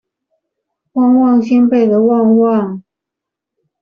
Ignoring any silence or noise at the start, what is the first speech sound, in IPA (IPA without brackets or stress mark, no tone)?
w